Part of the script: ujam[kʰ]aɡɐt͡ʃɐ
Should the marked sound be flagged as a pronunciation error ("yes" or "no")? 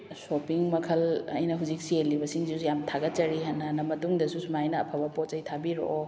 yes